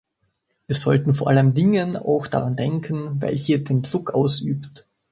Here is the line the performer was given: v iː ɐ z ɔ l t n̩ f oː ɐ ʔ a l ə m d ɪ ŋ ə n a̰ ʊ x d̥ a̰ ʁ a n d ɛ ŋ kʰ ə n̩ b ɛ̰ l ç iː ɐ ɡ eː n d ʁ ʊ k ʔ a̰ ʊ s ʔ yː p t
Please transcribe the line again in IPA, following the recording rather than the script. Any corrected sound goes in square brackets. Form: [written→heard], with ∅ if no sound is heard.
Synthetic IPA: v iː ɐ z ɔ l t n̩ f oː ɐ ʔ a l ə m d ɪ ŋ ə n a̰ ʊ x d̥ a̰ ʁ a n d ɛ ŋ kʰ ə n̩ [b→v] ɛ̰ l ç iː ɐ [ɡ→d] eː n d ʁ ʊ k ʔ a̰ ʊ s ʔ yː p t